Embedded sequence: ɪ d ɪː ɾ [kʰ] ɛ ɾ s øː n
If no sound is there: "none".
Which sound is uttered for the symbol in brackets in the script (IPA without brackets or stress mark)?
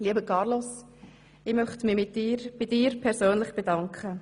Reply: pʰ